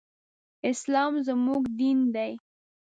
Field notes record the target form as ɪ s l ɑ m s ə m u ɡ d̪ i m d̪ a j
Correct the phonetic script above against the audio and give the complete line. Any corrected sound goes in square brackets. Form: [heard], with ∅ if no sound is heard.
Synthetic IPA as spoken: ɪ s l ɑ m [z] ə m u ɡ d̪ i [n] d̪ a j